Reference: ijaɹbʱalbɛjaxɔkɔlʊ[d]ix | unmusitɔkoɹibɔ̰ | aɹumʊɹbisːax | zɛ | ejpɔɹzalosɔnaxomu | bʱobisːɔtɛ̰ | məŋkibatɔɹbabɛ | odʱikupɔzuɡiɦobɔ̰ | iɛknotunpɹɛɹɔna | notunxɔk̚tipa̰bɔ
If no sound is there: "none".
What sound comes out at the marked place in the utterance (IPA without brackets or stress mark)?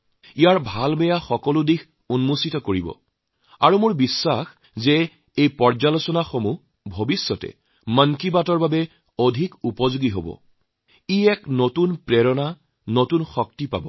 d